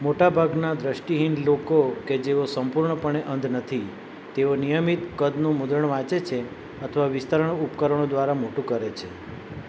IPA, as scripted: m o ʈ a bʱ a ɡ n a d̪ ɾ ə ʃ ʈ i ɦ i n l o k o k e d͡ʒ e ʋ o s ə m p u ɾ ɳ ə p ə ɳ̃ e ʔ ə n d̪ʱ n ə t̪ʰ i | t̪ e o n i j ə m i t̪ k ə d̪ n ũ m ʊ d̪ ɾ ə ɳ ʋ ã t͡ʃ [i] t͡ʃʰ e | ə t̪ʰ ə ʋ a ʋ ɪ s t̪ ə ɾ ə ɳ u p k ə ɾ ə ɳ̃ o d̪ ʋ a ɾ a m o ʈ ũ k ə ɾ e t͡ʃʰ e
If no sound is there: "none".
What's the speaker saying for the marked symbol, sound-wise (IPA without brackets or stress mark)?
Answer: e